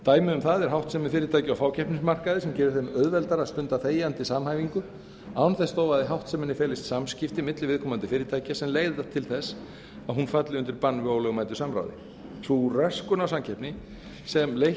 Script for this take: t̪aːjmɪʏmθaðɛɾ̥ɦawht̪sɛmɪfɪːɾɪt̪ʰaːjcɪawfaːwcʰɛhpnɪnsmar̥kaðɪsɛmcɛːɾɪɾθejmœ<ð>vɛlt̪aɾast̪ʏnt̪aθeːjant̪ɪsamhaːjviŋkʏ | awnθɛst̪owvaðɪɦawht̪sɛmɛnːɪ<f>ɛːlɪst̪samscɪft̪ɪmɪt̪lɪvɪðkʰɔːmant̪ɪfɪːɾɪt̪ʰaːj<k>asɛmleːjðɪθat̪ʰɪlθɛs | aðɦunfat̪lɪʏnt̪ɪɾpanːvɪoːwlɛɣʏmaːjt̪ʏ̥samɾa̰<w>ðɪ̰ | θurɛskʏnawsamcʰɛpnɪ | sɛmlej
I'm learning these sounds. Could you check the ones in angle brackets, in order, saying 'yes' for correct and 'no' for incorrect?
yes, yes, no, yes

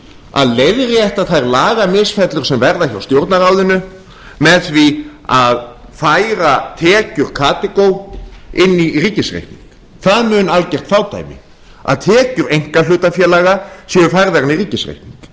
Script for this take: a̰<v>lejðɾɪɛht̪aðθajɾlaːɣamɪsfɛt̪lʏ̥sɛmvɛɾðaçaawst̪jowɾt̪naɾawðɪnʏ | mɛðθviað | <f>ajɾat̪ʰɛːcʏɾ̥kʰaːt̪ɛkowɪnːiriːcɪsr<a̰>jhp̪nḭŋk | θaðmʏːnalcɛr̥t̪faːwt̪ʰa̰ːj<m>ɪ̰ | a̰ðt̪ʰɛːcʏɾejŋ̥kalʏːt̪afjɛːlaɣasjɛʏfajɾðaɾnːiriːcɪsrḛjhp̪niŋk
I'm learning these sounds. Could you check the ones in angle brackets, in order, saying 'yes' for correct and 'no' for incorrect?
no, yes, no, yes

